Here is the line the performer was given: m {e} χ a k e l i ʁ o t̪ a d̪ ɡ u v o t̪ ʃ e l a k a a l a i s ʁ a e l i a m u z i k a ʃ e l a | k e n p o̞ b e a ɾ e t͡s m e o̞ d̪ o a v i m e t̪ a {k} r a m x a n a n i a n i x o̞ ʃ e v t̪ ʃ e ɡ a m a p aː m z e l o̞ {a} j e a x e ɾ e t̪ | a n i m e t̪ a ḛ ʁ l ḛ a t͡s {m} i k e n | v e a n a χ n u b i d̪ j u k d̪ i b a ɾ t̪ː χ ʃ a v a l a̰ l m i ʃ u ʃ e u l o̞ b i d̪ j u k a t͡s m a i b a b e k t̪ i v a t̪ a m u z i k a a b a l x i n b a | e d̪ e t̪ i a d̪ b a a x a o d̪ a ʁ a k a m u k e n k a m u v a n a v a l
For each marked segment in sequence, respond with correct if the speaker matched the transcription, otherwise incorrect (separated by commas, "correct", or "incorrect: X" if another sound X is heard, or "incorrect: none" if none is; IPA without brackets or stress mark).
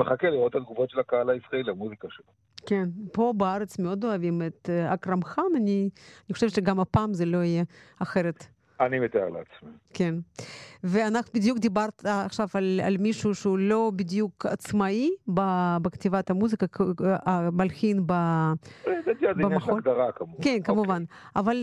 correct, correct, incorrect: i, correct